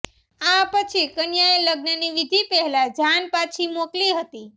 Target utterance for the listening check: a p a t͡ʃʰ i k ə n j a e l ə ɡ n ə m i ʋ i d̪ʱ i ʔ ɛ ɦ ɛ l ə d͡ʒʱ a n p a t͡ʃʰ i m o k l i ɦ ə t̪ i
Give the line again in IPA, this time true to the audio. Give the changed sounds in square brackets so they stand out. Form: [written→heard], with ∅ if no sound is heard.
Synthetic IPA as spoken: a p [a→ə] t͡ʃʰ i k ə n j a e l ə ɡ n ə [m→n] i ʋ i d̪ʱ i [ʔ→p] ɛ ɦ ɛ l [ə→a] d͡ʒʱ a n p a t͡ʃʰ i m o k l i ɦ ə t̪ i